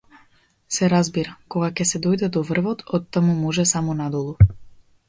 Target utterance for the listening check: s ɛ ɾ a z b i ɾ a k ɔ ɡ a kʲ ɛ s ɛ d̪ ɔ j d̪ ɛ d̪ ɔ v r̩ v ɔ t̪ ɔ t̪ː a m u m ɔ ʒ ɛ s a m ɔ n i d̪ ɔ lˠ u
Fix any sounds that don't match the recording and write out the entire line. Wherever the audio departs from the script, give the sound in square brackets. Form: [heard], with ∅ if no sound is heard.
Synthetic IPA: s ɛ ɾ a z b i ɾ a k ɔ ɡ a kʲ ɛ s ɛ d̪ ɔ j d̪ ɛ d̪ ɔ v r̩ v ɔ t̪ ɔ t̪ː a m u m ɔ ʒ ɛ s a m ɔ n [a] d̪ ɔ lˠ u